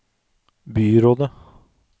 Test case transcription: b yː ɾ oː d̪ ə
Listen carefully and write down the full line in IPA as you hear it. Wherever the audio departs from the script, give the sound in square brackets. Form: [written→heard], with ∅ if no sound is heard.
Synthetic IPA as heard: b yː ɾ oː d̪ ə